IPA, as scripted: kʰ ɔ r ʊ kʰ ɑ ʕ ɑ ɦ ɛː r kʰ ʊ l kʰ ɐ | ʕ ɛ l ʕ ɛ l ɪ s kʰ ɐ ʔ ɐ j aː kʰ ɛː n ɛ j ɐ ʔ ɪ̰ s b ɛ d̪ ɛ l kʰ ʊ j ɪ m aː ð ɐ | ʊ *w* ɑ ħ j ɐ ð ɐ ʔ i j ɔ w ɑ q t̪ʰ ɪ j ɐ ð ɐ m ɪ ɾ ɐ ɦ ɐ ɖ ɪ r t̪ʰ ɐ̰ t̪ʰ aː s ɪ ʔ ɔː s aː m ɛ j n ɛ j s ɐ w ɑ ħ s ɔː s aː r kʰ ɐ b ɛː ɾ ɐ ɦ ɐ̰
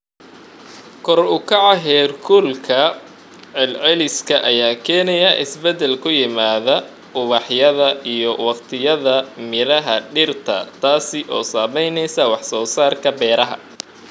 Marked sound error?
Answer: yes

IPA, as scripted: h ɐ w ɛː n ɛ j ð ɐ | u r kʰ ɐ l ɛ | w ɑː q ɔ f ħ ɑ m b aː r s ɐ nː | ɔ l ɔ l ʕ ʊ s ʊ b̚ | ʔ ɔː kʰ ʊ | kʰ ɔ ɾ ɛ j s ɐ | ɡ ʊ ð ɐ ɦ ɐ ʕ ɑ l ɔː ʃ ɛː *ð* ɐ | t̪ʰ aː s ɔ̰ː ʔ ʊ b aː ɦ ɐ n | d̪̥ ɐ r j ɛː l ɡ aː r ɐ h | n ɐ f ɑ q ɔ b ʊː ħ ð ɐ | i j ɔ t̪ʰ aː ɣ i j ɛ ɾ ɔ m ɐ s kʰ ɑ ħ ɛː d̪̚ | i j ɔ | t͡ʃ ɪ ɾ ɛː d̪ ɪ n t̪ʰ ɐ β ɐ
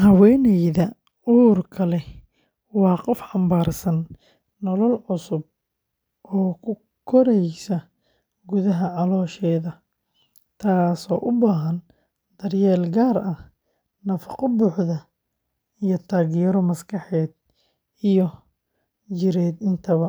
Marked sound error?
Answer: no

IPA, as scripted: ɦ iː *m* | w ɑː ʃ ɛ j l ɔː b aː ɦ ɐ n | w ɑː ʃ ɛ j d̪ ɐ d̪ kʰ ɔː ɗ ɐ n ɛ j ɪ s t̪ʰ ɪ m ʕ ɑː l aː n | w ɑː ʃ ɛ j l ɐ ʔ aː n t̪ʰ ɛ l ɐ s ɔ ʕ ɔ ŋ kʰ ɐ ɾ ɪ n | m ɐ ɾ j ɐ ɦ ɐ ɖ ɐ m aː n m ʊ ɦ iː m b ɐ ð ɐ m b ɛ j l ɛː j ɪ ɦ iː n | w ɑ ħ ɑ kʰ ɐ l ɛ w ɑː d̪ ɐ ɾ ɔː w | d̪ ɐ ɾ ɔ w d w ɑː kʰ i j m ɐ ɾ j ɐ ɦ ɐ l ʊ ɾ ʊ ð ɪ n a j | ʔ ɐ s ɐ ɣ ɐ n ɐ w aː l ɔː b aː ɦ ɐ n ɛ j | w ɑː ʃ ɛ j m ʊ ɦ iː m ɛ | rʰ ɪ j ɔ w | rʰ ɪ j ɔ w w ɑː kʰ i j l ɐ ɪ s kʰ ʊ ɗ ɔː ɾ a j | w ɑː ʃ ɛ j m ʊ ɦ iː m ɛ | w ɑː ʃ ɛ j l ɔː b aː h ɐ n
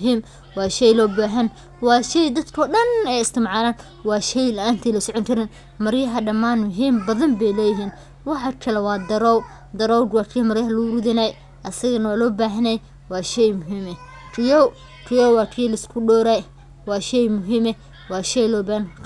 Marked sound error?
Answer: no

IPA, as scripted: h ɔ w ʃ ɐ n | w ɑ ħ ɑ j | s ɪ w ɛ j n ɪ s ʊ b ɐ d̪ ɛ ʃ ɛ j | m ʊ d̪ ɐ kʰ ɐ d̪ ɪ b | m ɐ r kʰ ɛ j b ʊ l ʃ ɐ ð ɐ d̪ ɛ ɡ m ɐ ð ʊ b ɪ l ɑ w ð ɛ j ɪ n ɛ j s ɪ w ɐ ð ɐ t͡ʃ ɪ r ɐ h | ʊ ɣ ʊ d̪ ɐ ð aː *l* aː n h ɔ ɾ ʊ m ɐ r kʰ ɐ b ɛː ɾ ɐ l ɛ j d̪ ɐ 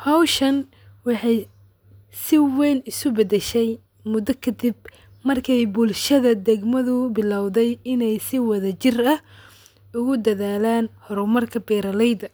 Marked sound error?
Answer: no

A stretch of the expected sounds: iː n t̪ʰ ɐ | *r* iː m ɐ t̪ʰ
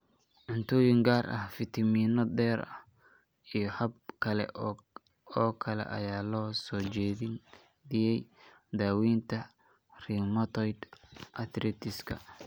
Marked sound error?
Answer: no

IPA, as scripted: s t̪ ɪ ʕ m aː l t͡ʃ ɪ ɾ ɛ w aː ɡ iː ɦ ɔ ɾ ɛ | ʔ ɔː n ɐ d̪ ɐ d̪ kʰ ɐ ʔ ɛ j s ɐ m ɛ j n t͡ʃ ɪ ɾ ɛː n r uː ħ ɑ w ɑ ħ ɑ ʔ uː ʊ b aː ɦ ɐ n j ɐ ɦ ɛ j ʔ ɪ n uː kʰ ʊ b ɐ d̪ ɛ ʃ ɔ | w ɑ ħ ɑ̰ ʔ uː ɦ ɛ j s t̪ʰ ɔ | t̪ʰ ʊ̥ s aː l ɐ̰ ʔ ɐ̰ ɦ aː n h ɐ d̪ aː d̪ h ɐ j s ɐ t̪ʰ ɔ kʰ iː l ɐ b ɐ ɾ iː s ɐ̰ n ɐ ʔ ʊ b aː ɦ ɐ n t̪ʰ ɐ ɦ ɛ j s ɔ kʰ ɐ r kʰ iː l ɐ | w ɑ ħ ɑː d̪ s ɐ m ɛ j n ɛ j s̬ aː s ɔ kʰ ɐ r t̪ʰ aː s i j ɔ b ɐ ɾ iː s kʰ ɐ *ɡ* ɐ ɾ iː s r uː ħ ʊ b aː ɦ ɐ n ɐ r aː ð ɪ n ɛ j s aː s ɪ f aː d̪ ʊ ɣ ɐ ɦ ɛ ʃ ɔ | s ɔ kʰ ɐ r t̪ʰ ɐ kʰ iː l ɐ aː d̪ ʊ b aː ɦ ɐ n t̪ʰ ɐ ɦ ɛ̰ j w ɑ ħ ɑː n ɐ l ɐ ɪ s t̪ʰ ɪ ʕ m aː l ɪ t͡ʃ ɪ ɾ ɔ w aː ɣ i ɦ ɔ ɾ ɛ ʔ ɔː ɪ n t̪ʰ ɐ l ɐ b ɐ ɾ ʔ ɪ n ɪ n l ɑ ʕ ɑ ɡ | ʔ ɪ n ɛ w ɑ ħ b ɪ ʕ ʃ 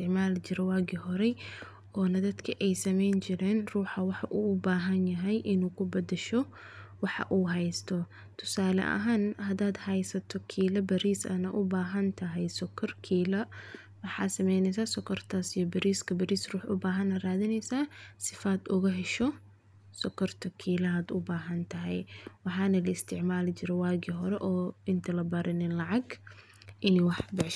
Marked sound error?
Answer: yes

